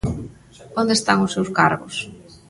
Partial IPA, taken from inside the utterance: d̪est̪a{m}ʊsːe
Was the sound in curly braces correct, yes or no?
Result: no